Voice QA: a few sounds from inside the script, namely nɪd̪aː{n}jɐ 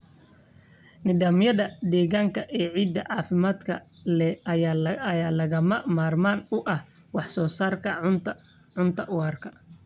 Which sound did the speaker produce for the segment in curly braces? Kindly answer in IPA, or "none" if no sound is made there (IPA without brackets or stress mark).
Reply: m